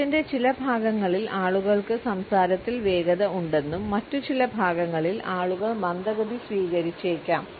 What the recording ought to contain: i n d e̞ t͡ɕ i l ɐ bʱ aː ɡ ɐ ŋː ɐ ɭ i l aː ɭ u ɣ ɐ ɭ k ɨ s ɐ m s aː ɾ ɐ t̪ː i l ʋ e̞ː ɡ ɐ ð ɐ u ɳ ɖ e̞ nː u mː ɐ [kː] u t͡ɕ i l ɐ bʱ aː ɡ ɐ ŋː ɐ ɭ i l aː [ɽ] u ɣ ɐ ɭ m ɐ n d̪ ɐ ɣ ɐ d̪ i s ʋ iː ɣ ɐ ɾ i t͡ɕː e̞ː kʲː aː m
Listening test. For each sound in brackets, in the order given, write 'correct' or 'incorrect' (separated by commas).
incorrect, incorrect